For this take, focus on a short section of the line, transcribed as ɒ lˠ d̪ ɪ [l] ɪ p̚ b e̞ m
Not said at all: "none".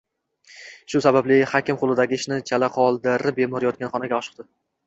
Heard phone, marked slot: ɾ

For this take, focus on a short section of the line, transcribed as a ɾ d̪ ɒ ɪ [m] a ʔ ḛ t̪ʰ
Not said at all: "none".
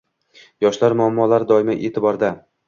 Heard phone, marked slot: m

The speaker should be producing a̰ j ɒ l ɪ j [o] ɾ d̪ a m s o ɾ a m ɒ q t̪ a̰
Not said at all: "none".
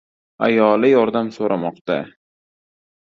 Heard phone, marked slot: ɒ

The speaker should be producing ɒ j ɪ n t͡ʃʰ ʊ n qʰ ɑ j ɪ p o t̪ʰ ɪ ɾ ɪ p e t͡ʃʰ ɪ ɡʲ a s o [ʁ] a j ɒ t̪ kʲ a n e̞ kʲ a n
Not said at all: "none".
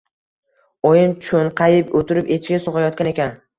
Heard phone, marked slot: ʁ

